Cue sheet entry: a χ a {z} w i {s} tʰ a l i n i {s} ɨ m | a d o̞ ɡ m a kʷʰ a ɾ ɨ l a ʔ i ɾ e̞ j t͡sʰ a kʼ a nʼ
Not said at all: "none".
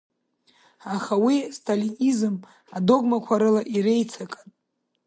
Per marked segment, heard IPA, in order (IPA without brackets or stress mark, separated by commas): none, s, z